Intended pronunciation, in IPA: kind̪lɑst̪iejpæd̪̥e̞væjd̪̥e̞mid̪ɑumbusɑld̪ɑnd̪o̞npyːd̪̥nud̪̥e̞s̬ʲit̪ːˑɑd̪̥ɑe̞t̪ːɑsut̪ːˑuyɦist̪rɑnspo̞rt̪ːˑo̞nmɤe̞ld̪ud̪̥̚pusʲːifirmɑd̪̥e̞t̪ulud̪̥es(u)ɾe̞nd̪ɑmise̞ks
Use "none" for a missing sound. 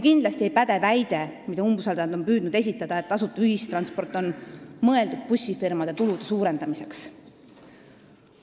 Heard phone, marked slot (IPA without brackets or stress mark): uː